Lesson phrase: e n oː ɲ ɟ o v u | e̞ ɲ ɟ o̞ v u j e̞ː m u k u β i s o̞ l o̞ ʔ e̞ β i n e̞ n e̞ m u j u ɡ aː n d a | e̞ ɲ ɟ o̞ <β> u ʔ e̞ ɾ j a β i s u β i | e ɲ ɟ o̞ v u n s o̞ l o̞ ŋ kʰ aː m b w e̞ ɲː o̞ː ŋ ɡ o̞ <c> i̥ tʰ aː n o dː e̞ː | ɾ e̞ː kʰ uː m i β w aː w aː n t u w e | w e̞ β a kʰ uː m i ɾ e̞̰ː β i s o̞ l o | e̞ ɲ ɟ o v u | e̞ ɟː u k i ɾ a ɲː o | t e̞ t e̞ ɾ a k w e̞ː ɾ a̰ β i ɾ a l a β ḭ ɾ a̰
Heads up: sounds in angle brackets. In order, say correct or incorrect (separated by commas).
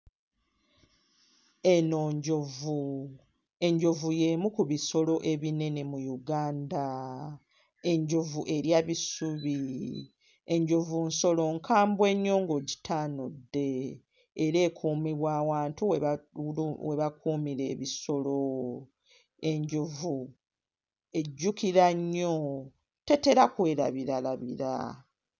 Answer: incorrect, incorrect